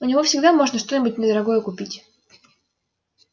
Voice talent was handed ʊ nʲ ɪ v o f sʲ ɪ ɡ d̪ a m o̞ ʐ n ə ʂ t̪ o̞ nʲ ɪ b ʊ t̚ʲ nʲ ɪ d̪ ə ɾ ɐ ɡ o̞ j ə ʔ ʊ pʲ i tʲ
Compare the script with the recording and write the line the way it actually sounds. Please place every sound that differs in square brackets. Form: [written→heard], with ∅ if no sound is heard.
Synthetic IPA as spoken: ʊ nʲ ɪ v o f sʲ ɪ ɡ d̪ a m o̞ ʐ n ə ʂ t̪ o̞ nʲ ɪ b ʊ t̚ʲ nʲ ɪ d̪ ə ɾ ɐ ɡ o̞ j ə [ʔ→k] ʊ pʲ i tʲ